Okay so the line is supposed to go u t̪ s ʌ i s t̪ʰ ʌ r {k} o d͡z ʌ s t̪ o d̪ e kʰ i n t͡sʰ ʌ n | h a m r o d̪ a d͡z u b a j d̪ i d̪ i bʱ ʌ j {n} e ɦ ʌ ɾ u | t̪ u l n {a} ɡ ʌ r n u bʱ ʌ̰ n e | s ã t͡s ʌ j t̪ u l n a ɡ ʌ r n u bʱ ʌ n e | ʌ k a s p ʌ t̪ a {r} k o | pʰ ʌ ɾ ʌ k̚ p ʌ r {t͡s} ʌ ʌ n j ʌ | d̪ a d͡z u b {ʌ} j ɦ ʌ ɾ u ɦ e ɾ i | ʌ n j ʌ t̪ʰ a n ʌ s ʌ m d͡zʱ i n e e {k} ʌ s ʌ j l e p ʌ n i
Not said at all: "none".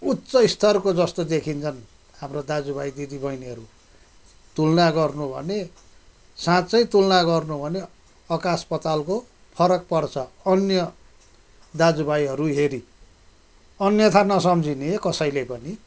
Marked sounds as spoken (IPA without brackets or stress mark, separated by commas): k, n, a, l, t͡sʰ, a, k